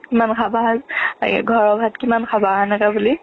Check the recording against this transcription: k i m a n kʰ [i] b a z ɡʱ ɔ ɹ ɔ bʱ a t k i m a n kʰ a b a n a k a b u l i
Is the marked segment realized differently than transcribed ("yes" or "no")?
yes